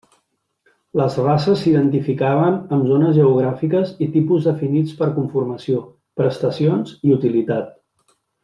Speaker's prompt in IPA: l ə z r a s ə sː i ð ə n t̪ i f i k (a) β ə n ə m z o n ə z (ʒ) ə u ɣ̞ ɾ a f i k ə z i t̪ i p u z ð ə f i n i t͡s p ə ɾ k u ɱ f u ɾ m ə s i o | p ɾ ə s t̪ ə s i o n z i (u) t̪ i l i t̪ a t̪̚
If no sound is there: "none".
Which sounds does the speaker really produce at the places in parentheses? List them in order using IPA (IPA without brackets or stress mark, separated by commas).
a, ʒ, u